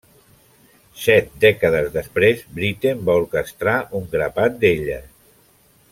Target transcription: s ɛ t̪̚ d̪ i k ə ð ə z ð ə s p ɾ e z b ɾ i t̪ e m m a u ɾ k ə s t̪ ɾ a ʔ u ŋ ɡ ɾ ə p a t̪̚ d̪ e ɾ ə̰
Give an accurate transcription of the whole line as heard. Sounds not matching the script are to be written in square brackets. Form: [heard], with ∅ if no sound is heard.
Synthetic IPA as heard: s ɛ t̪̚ d̪ [ɛ] k ə ð ə z ð ə s p ɾ e z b ɾ i t̪ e m [b] a u ɾ k ə s t̪ ɾ a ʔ u ŋ ɡ ɾ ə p a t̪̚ d̪ e [ʎ] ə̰